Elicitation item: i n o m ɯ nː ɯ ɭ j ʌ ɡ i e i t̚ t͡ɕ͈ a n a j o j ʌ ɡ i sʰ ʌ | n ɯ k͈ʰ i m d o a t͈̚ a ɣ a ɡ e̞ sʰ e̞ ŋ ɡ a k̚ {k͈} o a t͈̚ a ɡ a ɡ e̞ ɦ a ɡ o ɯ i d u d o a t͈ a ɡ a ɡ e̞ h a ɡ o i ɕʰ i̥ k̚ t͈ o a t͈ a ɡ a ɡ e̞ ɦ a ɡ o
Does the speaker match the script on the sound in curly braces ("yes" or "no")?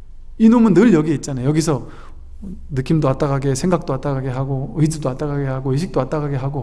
no